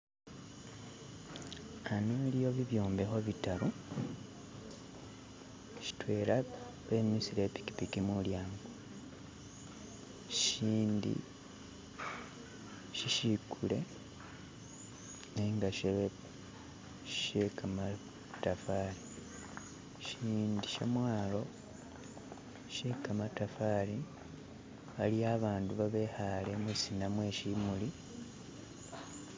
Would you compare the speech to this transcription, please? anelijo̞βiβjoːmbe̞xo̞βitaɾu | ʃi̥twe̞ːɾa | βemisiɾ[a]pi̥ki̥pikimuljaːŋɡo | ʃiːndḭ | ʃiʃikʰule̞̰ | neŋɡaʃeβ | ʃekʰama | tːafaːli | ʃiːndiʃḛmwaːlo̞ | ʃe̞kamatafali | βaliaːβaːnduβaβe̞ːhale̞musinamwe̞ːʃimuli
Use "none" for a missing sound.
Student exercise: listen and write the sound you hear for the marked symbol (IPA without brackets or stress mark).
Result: e